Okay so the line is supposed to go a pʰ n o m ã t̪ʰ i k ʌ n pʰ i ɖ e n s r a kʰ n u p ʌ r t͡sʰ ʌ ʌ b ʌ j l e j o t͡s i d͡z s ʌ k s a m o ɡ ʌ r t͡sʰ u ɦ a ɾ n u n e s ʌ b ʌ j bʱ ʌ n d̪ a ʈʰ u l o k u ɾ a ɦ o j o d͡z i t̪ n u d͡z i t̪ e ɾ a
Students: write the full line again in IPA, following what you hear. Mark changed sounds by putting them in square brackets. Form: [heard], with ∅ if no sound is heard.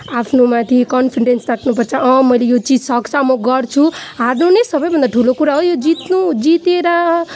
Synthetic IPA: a pʰ n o m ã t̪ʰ i k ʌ n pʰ i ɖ e n s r a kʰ n u p ʌ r t͡sʰ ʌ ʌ [m] ʌ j l e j o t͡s i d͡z s ʌ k s a m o ɡ ʌ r t͡sʰ u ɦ a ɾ n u n e s ʌ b ʌ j bʱ ʌ n d̪ a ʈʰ u l o k u ɾ a ɦ o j o d͡z i t̪ n u d͡z i t̪ e ɾ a